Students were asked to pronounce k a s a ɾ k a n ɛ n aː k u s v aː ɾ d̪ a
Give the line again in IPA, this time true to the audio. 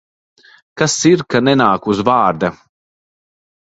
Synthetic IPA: k a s i ɾ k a n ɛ n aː k u z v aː ɾ d̪ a